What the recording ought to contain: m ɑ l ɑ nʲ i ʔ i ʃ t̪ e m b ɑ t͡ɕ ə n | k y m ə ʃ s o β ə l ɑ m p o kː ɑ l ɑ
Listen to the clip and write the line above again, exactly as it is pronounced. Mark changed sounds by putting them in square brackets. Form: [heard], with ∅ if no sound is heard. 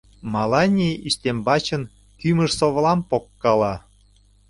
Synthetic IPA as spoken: m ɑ l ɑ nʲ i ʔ i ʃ t̪ e m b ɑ t͡ɕ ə n | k y m ə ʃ s o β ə l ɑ m p o kː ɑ l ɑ